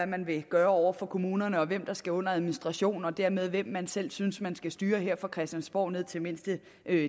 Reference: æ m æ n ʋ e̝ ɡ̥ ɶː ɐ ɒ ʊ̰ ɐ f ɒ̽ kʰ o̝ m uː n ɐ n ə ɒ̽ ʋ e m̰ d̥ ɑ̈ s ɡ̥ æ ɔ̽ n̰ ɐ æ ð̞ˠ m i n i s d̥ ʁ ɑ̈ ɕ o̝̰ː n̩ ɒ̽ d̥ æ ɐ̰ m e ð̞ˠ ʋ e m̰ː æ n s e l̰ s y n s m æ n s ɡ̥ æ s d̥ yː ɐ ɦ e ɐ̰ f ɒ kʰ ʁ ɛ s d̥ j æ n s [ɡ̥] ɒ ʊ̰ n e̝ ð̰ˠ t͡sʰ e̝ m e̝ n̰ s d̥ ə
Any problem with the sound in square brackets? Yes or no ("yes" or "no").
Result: yes